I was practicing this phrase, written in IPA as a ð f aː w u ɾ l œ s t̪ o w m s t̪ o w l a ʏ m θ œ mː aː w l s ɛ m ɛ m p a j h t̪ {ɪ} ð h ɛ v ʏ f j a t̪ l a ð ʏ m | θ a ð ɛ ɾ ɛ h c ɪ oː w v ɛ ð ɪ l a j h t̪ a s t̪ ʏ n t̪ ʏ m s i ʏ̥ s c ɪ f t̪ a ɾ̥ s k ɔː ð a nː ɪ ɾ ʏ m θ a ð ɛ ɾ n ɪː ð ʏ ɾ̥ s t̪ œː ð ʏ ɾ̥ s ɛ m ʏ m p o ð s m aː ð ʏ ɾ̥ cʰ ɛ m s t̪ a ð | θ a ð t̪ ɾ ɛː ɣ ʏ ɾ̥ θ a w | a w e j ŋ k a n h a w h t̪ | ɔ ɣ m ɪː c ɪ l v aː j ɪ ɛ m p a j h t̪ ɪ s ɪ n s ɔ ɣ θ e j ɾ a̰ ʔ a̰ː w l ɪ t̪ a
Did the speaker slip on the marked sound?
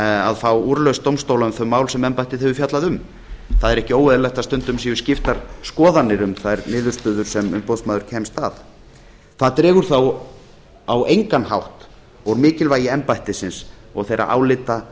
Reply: no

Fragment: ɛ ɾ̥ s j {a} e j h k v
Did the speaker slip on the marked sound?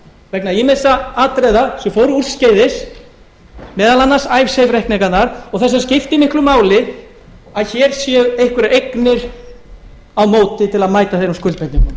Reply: yes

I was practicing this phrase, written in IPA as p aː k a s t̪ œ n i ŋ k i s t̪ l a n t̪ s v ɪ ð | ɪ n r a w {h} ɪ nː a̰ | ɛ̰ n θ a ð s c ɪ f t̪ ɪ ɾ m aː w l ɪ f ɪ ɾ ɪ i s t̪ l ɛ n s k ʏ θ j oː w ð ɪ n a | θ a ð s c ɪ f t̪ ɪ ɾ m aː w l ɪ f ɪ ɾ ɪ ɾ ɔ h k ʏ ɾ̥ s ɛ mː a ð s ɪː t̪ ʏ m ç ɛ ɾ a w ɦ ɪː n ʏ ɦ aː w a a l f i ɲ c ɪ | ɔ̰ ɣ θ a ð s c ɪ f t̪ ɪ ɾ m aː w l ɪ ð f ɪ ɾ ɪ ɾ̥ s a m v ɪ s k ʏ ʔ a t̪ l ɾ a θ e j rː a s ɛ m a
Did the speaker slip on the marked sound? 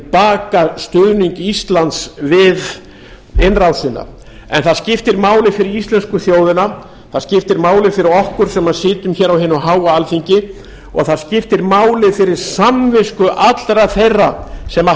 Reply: yes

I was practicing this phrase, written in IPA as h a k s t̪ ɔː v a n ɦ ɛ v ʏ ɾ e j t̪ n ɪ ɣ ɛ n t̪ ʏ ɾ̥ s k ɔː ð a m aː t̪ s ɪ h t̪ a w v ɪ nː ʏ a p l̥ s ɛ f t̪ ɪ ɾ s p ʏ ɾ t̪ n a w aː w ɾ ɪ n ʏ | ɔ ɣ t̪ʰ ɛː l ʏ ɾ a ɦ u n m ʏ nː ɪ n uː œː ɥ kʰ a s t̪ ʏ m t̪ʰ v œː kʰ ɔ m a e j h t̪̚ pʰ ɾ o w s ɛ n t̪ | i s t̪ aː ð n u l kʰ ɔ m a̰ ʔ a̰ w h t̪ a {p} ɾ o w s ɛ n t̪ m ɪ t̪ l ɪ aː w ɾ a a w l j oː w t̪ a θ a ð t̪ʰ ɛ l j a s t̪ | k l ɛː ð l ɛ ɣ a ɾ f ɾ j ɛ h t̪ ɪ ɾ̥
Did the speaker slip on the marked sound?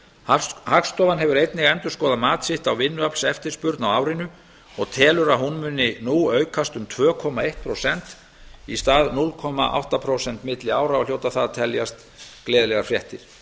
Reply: yes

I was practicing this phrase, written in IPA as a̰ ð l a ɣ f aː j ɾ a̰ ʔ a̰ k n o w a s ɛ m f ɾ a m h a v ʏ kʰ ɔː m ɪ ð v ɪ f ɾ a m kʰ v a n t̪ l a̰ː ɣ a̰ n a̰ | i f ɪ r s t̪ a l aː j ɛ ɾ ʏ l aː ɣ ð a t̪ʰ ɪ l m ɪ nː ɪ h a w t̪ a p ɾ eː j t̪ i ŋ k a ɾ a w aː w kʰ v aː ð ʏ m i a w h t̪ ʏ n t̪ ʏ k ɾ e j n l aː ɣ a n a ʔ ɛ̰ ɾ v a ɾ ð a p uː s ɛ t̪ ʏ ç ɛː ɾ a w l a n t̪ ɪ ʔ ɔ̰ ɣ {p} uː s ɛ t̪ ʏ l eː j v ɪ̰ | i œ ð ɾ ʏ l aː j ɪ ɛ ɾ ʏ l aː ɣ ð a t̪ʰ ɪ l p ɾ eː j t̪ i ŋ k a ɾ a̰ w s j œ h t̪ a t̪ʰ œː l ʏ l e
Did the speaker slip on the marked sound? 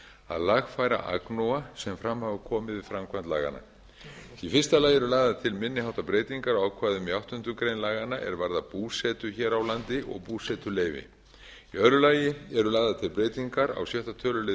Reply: no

